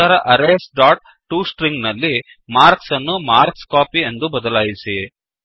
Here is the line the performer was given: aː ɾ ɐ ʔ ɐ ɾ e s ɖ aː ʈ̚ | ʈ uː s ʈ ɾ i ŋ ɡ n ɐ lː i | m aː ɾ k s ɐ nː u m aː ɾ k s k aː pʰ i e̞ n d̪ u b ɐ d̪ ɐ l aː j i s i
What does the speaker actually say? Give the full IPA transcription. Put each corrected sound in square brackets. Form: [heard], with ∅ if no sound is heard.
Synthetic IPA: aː ɾ ɐ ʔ ɐ ɾ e s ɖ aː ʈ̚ | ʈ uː s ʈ ɾ i ŋ ɡ n ɐ lː i | m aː ɾ k s ɐ nː u m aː ɾ k s k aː [p] i e̞ n d̪ u b ɐ d̪ ɐ l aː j i s i